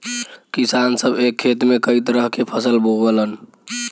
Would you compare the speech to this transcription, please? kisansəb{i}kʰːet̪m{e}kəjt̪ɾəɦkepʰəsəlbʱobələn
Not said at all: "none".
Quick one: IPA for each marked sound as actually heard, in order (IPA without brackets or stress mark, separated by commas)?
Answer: e, e